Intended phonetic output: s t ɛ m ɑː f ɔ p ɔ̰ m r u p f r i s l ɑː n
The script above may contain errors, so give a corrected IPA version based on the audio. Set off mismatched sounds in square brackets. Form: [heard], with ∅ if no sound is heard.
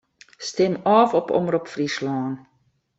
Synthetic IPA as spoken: s t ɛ m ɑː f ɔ p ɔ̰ m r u p f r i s l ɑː n